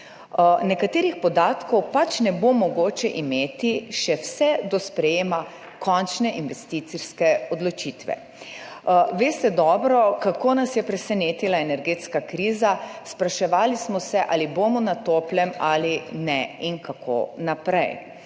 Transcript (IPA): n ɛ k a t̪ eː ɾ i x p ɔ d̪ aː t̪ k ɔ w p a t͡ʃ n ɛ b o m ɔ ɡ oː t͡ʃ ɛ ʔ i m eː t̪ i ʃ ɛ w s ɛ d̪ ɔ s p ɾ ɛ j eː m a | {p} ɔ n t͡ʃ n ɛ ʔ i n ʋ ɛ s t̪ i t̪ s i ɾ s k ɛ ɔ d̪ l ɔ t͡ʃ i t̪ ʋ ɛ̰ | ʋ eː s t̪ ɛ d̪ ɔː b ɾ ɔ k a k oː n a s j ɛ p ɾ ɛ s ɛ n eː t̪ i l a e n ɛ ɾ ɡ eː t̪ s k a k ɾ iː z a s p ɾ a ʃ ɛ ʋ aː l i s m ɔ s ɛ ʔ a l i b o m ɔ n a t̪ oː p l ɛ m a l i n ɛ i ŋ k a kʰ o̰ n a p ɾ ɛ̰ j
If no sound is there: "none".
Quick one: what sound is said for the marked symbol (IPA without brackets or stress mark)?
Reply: k